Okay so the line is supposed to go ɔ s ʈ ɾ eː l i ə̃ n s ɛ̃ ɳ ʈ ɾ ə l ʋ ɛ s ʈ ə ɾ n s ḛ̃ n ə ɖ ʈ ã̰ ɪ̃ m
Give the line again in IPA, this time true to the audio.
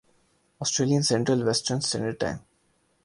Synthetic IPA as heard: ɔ s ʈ ɾ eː l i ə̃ n s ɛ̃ ɳ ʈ ɾ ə l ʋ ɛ s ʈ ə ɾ n s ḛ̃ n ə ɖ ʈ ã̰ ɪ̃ m